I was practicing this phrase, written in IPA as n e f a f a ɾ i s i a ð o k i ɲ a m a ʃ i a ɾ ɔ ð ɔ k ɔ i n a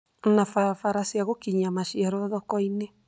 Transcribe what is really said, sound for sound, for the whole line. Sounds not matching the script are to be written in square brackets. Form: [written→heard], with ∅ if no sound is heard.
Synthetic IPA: n [e→a] f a f a ɾ [i→a] s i a [ð→ɣ] o k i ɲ a m a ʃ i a ɾ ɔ ð ɔ k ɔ i n [a→e]